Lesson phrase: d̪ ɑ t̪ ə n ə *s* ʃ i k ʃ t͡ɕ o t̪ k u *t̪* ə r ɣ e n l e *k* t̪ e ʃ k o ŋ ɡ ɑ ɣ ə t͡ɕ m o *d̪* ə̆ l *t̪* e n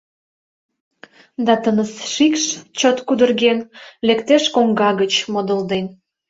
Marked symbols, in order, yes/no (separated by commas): yes, no, yes, yes, no